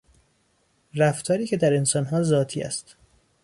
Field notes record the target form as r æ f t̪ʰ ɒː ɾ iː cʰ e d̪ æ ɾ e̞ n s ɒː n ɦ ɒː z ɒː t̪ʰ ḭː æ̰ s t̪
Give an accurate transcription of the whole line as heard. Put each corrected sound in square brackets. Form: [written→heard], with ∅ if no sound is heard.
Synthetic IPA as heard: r æ f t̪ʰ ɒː ɾ iː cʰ e d̪ æ ɾ e̞ n s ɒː n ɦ ɒː z ɒː t̪ʰ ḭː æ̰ s t̪